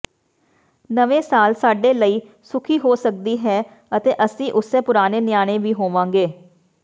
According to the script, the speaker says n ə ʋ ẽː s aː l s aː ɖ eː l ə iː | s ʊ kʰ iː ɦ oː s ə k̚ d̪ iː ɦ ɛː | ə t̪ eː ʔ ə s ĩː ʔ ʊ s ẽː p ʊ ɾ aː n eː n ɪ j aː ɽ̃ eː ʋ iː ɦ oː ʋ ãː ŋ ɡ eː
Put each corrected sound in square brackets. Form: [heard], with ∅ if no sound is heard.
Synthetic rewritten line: n ə ʋ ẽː s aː l s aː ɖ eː l ə iː | s ʊ kʰ iː ɦ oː s ə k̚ d̪ iː ɦ ɛː | ə t̪ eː ʔ ə s ĩː ʔ ʊ s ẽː p ʊ ɾ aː n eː n ɪ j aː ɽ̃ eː ʋ iː ɦ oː ʋ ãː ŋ ɡ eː

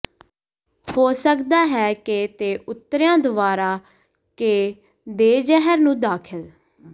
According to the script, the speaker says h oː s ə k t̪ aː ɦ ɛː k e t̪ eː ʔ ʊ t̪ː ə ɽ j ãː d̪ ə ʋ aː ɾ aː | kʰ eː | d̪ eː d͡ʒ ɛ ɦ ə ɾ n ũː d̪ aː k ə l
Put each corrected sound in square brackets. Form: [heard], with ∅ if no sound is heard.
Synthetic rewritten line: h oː s ə k [d̪] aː ɦ ɛː k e t̪ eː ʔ ʊ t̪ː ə [ɾ] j ãː d̪ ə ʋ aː ɾ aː | [k] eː | d̪ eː d͡ʒ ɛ ɦ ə ɾ n ũː d̪ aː [kʰ] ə l

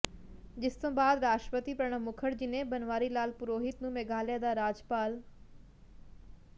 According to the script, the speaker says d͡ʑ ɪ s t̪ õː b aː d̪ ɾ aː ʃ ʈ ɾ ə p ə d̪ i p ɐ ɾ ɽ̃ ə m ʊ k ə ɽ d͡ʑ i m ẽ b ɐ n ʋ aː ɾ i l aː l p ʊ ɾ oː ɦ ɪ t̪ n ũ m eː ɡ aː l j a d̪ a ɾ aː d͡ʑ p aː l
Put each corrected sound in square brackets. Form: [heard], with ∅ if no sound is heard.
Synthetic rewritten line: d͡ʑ ɪ s t̪ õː b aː d̪ ɾ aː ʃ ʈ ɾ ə p ə [t̪] i p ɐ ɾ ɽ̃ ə m ʊ [kʰ] ə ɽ d͡ʑ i [n] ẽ b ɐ n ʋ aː ɾ i l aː l p ʊ ɾ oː ɦ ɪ t̪ n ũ m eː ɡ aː l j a d̪ a ɾ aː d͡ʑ p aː l

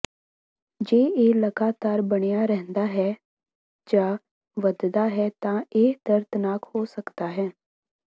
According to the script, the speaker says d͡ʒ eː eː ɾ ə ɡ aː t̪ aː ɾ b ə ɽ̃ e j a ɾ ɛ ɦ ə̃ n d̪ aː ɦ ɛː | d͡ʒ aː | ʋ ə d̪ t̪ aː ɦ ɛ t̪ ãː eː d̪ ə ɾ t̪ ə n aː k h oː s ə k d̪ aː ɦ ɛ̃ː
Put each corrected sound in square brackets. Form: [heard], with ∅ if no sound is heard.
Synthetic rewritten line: d͡ʒ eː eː [l] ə ɡ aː t̪ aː ɾ b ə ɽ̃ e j a ɾ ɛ ɦ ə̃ n d̪ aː ɦ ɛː | d͡ʒ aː | ʋ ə d̪ [d̪] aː ɦ ɛ t̪ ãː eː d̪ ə ɾ t̪ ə n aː k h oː s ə k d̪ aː ɦ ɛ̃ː

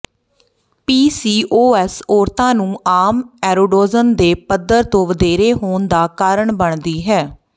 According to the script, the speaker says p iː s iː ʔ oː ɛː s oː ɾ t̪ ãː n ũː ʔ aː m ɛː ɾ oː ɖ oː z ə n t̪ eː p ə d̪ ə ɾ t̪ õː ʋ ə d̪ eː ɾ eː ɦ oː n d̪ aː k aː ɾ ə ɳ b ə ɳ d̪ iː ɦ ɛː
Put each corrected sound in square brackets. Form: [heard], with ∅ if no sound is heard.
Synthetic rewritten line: p iː s iː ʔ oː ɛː s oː ɾ t̪ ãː n ũː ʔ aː m ɛː ɾ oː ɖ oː z ə n [d̪] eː p ə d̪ ə ɾ t̪ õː ʋ ə d̪ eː ɾ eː ɦ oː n d̪ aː k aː ɾ ə ɳ b ə ɳ d̪ iː ɦ ɛː

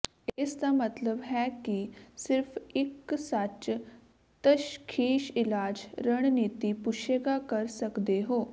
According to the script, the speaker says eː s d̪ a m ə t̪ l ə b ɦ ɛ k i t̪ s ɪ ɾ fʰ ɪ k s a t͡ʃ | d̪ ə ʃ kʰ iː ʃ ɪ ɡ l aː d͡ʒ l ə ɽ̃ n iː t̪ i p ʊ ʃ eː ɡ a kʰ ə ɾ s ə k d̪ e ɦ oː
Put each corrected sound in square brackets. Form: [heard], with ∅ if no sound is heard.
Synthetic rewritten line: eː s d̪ a m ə t̪ l ə b ɦ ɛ k i [∅] s ɪ ɾ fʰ ɪ k s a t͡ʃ | [t̪] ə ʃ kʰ iː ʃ ɪ [∅] l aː d͡ʒ [ɾ] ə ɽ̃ n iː t̪ i p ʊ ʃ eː ɡ a [k] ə ɾ s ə k d̪ e ɦ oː

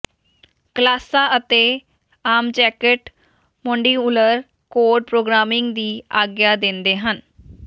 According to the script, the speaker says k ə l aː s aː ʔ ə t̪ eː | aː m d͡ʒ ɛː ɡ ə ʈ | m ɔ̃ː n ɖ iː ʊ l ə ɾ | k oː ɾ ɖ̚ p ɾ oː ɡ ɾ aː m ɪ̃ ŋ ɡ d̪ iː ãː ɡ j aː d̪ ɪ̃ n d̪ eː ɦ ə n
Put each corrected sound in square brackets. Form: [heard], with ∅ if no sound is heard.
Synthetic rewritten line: k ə l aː s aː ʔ ə t̪ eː | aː m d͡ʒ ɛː [k] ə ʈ | m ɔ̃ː [ɳ] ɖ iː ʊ l ə ɾ | k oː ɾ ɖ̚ p ɾ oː ɡ ɾ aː m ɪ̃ ŋ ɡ d̪ iː [aː] ɡ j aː d̪ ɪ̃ n d̪ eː ɦ ə n

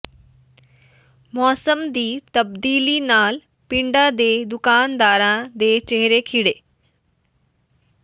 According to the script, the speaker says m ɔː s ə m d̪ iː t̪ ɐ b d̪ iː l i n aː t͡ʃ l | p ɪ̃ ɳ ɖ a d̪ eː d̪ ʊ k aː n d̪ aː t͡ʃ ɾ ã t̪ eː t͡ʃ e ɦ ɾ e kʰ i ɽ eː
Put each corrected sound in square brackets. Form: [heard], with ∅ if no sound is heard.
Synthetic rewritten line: m ɔː s ə m d̪ iː t̪ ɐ b d̪ iː l i n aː [∅] l | p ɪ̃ ɳ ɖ a d̪ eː d̪ ʊ k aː n d̪ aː [∅] ɾ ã [d̪] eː t͡ʃ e ɦ ɾ e kʰ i ɽ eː

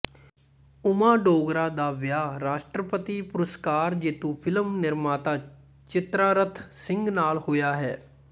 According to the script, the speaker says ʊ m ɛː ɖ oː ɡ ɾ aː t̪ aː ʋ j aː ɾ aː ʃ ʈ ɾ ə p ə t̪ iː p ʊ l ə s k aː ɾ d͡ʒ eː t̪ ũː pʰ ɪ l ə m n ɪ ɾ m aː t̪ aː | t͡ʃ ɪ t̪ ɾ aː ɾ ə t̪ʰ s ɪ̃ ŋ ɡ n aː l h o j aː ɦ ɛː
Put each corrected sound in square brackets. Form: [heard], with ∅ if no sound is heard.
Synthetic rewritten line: ʊ m [aː] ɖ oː ɡ ɾ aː [d̪] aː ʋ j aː ɾ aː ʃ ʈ ɾ ə p ə t̪ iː p ʊ [ɾ] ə s k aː ɾ d͡ʒ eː t̪ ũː pʰ ɪ l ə m n ɪ ɾ m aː t̪ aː | t͡ʃ ɪ t̪ ɾ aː ɾ ə t̪ʰ s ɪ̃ ŋ ɡ n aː l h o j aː ɦ ɛː

